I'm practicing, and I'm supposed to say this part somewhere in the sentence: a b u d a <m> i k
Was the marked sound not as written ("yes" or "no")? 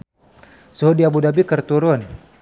yes